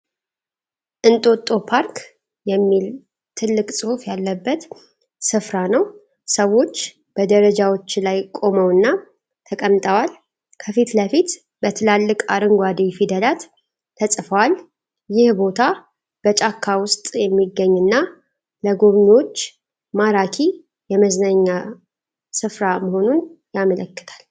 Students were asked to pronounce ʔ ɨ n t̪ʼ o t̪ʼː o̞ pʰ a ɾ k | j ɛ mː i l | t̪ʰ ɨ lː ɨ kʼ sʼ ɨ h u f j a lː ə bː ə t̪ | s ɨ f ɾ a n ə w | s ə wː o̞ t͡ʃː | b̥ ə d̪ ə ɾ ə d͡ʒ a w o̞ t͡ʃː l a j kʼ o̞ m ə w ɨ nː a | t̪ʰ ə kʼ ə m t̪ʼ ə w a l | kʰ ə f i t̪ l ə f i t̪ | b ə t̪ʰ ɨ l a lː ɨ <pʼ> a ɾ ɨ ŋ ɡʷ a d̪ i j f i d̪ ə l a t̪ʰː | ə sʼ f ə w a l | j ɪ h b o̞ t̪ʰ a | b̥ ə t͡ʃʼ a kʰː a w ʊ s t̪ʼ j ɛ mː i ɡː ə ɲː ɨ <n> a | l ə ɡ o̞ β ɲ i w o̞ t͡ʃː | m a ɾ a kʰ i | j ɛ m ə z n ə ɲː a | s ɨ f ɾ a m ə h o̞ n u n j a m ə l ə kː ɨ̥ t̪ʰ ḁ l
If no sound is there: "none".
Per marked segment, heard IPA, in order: kʼ, nː

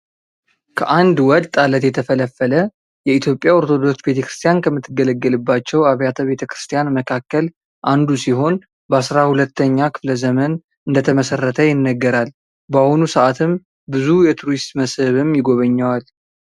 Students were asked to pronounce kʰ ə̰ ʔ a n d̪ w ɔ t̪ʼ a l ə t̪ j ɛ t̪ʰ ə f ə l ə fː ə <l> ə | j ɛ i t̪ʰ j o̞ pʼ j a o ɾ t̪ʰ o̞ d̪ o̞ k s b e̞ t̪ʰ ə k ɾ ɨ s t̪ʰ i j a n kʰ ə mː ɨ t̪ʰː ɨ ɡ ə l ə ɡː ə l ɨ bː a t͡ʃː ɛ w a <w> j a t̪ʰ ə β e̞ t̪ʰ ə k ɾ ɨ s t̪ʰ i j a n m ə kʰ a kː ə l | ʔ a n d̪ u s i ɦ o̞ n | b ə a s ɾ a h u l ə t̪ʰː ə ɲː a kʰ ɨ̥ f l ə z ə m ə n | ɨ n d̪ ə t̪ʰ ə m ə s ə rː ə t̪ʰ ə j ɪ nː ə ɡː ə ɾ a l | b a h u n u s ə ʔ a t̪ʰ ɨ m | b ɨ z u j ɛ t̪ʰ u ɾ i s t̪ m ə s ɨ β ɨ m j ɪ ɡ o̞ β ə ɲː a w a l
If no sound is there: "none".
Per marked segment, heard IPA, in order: l, β

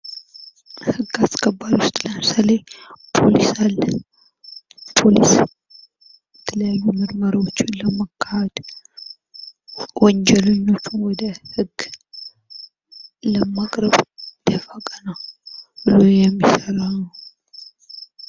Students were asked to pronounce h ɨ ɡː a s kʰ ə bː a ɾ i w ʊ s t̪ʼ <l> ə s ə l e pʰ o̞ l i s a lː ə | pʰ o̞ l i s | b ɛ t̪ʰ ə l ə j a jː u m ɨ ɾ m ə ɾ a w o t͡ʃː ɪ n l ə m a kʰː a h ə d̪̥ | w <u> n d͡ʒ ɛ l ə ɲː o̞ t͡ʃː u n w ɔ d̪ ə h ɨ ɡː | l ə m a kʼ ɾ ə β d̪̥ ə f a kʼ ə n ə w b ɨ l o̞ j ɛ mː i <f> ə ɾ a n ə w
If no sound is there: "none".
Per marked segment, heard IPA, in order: l, ɔ, s

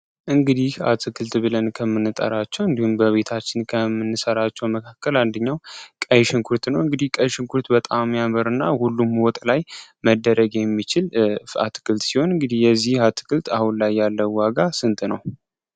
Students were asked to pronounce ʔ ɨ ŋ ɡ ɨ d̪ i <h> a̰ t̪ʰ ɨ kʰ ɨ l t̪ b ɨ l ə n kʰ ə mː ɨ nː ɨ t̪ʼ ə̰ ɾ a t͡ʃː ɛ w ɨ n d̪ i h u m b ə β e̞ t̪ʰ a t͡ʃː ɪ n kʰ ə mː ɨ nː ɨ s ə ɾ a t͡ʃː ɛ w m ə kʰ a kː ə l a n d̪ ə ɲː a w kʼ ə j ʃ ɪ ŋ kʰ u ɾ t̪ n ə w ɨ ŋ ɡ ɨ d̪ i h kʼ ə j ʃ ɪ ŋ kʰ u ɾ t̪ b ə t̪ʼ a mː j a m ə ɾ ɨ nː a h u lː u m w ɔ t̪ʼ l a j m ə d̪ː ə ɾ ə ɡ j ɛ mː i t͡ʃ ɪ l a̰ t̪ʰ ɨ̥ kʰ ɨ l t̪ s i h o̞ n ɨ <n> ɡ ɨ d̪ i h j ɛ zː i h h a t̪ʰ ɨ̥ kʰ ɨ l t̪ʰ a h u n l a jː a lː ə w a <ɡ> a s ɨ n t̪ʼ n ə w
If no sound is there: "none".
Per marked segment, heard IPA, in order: h, ŋ, ɡ

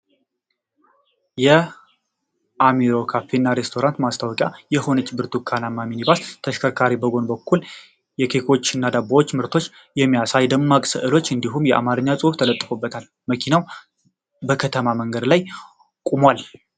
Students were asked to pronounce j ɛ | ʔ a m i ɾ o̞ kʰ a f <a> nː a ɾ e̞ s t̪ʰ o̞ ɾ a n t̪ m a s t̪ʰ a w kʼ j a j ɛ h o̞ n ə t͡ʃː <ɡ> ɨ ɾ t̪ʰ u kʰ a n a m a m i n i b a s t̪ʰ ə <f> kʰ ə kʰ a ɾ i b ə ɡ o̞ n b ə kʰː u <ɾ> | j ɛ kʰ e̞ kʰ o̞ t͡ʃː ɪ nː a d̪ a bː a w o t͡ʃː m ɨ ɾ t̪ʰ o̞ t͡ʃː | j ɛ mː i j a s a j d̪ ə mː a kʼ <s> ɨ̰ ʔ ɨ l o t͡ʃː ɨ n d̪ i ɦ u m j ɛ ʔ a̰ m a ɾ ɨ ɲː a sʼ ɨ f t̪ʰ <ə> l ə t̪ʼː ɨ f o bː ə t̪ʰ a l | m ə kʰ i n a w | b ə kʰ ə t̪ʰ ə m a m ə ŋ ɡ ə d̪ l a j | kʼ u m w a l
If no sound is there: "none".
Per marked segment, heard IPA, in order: e, b, ʃ, l, s, ə

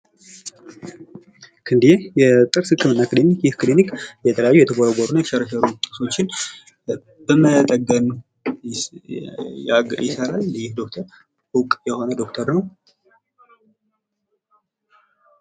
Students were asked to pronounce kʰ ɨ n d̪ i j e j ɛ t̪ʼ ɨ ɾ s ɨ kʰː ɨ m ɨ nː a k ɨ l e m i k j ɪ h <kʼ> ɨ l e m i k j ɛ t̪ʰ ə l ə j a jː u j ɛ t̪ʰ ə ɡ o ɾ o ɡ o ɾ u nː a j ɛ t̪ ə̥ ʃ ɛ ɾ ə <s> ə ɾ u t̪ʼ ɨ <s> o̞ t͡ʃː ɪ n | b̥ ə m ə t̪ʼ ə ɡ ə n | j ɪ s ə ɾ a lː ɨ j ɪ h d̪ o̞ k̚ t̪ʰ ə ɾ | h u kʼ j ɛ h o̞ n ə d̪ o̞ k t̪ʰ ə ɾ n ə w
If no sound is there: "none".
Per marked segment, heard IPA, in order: k, ʃ, s

